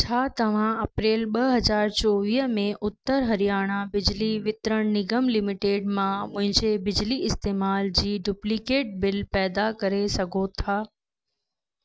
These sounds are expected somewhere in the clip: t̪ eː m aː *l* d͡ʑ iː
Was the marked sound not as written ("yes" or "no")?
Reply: no